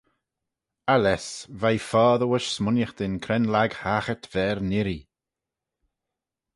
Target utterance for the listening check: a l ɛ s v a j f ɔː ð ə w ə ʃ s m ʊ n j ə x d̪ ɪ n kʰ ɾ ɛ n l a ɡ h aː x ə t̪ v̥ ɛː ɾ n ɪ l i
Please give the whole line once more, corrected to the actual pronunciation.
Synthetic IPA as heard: a l ɛ s v a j f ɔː ð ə w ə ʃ s m ʊ n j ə x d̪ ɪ n kʰ ɾ ɛ n l a ɡ h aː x ə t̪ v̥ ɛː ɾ n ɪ ɾ i